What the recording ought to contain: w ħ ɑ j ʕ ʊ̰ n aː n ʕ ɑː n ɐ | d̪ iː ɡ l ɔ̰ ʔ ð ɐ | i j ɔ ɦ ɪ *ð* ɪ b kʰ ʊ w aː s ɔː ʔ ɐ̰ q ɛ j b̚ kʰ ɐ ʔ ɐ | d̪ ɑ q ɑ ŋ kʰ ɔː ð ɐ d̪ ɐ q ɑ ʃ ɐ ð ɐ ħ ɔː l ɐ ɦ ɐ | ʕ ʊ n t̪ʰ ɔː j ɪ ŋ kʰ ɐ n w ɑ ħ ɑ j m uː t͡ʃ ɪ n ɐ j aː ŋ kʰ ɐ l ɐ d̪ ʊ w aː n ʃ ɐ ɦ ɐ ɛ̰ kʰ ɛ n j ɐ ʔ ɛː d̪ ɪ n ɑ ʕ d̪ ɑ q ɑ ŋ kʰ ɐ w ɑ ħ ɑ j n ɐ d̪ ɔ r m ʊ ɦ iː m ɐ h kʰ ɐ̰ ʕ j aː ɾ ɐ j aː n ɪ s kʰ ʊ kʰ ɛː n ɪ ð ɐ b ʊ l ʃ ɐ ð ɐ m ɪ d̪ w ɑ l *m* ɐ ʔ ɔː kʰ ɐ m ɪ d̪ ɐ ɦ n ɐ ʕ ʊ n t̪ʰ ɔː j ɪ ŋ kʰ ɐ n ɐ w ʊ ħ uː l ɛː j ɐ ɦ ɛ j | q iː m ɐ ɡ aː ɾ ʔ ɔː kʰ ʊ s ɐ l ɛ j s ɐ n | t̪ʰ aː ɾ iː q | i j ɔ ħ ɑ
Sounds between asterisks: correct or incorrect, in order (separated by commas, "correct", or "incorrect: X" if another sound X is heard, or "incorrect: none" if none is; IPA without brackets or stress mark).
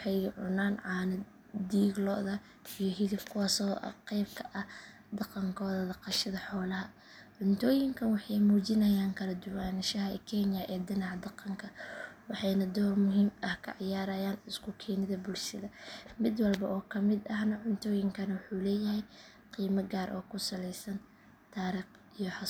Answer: correct, incorrect: b